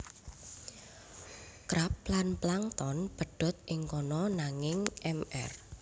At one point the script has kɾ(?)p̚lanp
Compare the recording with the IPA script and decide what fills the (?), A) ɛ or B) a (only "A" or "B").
B